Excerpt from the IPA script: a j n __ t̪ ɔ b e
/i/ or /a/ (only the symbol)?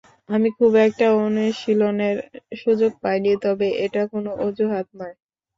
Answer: i